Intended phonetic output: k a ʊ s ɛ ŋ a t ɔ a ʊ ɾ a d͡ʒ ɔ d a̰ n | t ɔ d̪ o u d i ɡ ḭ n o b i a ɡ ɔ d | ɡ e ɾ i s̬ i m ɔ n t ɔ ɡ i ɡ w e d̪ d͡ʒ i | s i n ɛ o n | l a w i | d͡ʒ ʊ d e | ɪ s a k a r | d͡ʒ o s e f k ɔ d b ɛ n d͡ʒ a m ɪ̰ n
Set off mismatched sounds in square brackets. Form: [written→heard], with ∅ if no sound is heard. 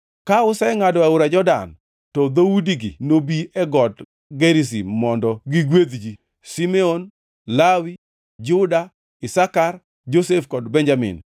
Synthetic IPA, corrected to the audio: k a ʊ s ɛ ŋ a [t→d] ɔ a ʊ ɾ a d͡ʒ ɔ d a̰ n | t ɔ d̪ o u d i ɡ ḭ n o b i [a→ɛ] ɡ ɔ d | ɡ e ɾ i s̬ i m ɔ n [t→d] ɔ ɡ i ɡ w e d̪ d͡ʒ i | s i [n→m] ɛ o n | l a w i | d͡ʒ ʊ d [e→a] | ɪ s a k a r | d͡ʒ o s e f k ɔ d b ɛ n d͡ʒ a m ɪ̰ n